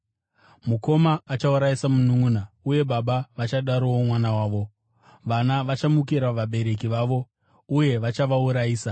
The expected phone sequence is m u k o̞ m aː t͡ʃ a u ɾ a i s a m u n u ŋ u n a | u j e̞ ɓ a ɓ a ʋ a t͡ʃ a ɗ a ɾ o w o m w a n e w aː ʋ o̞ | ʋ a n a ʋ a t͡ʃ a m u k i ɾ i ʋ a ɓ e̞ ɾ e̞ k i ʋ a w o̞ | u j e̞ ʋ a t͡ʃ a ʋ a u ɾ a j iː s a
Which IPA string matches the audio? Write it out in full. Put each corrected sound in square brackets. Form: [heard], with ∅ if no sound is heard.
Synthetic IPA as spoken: m u k o̞ m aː t͡ʃ a u ɾ a i s a m u n u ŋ u n a | u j e̞ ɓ a ɓ a ʋ a t͡ʃ a ɗ a ɾ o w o m w a n [a] w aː ʋ o̞ | ʋ a n a ʋ a t͡ʃ a m u k i ɾ [a] ʋ a ɓ e̞ ɾ e̞ k i ʋ a [ʋ] o̞ | u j e̞ ʋ a t͡ʃ a ʋ a u ɾ a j iː s a